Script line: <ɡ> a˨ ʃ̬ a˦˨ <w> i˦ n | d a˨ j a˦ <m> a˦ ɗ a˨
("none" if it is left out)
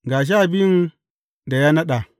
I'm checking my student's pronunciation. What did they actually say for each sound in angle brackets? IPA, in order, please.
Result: ɡ, b, n

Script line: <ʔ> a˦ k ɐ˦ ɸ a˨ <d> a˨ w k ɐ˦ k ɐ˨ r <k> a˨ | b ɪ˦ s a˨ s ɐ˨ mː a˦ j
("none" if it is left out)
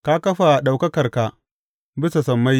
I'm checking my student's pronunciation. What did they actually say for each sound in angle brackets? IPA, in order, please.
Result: k, ɗ, k

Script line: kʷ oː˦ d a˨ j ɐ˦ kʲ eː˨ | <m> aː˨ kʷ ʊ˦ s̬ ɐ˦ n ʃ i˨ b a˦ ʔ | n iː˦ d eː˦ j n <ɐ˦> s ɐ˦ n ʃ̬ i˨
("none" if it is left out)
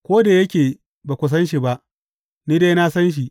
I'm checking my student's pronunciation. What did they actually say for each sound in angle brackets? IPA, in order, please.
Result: b, a˦

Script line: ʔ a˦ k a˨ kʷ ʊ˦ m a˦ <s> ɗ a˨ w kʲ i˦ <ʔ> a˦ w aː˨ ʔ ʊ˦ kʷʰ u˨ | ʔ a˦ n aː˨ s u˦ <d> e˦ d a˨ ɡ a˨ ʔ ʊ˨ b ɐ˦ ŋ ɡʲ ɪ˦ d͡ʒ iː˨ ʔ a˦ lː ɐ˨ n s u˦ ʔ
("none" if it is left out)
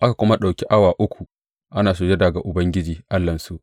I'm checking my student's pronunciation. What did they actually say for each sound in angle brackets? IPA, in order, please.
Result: none, ʔ, d͡ʒ

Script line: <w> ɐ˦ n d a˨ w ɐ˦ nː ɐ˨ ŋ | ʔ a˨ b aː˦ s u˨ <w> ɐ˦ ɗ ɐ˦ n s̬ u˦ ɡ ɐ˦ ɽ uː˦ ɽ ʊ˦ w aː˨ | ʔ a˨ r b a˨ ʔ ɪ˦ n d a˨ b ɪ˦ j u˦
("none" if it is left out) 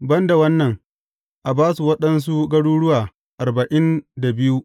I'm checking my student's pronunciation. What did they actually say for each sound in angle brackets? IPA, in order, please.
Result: b, w

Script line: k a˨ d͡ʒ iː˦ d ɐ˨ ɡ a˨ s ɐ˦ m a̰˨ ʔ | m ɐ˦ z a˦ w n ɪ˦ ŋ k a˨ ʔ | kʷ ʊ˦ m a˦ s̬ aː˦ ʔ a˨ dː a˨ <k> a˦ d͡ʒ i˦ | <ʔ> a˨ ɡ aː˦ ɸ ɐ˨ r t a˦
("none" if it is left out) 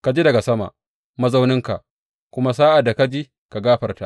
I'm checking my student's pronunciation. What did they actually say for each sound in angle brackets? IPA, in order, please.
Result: k, k

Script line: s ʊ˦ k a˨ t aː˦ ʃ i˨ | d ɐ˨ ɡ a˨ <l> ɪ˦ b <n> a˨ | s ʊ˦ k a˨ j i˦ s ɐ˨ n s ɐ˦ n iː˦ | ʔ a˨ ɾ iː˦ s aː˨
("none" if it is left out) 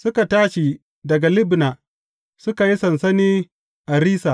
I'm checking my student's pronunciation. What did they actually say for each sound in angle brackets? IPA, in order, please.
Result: l, n

